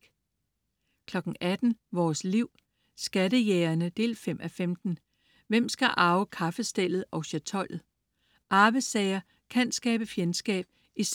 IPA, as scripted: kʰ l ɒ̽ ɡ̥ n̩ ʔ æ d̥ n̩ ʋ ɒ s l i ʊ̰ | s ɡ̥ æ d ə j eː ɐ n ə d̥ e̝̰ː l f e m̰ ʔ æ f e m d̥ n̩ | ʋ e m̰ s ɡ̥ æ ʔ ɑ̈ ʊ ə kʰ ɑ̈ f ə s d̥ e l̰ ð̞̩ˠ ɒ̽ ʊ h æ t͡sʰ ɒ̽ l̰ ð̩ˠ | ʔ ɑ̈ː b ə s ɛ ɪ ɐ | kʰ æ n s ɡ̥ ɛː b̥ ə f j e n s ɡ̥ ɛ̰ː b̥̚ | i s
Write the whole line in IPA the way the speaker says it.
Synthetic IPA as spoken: kʰ l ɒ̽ ɡ̥ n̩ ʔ æ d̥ n̩ ʋ ɒː s l i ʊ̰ | s ɡ̥ æ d ə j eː ɐ n ə d̥ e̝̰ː l f e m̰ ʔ æ f e m d̥ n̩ | ʋ e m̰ s ɡ̥ æ ʔ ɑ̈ ʊ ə kʰ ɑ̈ f ə s d̥ e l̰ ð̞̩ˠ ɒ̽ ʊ ɕ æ t͡sʰ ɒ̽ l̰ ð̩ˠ | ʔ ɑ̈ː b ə s ɛ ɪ ɐ | kʰ æ n s ɡ̥ ɛː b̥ ə f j e n s ɡ̥ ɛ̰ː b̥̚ | i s